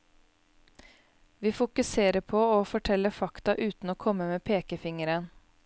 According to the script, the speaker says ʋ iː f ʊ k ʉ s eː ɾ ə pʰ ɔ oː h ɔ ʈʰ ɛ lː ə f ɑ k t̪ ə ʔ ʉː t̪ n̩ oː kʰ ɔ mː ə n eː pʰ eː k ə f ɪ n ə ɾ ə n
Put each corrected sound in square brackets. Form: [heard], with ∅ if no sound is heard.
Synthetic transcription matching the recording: ʋ iː f ʊ k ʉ s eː ɾ ə pʰ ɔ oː [f] ɔ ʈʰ ɛ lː ə f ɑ k t̪ [ɑ] ʔ ʉː t̪ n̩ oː kʰ ɔ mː ə [m] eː pʰ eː k ə f ɪ [ŋ] ə ɾ ə n